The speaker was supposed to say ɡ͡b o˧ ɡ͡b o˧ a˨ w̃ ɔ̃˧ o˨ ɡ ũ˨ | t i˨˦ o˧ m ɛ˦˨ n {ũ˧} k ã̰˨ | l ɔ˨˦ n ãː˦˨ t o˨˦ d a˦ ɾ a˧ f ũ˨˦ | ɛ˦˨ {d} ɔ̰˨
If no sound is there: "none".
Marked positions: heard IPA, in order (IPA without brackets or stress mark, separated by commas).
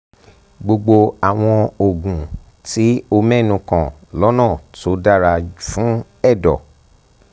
ũ˧, d